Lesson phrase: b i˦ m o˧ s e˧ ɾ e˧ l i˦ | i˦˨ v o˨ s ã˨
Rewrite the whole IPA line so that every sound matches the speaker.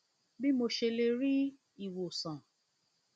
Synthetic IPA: b i˦ m o˧ ʃ e˧ l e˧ ɾ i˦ | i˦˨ w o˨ s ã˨

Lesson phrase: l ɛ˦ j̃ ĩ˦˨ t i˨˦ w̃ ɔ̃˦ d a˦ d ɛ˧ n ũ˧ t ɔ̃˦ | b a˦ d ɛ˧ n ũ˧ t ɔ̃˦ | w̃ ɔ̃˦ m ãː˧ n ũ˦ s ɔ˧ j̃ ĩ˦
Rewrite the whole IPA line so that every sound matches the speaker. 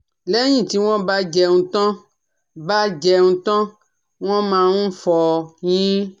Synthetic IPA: l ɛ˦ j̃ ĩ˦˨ t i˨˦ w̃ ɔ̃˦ b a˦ d͡ʒ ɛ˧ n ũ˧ t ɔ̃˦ | b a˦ d͡ʒ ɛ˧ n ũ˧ t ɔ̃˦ | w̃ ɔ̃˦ m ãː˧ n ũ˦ f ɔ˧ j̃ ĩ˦

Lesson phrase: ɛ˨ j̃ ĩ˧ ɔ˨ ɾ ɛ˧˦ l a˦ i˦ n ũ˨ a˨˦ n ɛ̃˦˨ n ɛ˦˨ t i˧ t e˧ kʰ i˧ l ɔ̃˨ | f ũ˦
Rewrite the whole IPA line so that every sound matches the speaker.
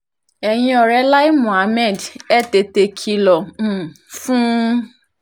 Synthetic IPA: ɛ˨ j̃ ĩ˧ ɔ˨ ɾ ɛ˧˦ l a˦ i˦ m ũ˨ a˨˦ m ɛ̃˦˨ d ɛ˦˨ t e˧ t e˧ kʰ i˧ l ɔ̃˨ | f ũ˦

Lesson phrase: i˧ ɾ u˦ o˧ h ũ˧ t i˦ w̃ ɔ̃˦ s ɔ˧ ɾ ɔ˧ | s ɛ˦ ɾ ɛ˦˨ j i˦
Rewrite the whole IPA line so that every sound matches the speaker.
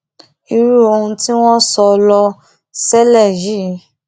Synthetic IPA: i˧ ɾ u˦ o˧ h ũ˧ t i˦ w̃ ɔ̃˦ s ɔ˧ l ɔ˧ | s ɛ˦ l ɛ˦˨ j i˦

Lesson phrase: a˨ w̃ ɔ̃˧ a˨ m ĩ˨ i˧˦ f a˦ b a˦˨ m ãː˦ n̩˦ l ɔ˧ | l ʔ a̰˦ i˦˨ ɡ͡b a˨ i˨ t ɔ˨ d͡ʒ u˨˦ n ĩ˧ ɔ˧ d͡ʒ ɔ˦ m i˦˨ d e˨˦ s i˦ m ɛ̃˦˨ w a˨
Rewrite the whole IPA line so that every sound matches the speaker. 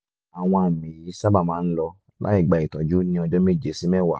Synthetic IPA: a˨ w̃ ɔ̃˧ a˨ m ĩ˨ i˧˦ s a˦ b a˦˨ m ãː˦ n̩˦ l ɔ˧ | l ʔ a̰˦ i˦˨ ɡ͡b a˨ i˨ t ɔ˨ d͡ʒ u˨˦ n ĩ˧ ɔ˧ d͡ʒ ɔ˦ m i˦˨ d͡ʒ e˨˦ s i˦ m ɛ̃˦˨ w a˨

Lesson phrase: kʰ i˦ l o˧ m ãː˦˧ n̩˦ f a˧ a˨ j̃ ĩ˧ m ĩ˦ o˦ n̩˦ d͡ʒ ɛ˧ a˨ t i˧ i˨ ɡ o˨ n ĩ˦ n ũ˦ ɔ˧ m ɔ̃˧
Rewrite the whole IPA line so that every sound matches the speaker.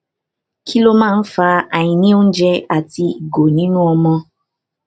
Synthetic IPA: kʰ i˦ l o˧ m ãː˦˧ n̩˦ f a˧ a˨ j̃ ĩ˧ n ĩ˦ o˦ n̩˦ d͡ʒ ɛ˧ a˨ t i˧ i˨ ɡ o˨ n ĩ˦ n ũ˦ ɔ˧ m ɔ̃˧

